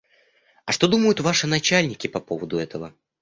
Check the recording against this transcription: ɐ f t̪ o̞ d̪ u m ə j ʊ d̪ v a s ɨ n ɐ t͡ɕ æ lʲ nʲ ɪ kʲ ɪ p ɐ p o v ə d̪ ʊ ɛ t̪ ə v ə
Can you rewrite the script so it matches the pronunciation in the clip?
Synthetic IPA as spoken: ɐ ʂ t̪ o̞ d̪ u m ə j ʊ t̪ v a ʂ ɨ n ɐ t͡ɕ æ lʲ nʲ ɪ kʲ ɪ p ɐ p o v ə d̪ ʊ ɛ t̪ ə v ə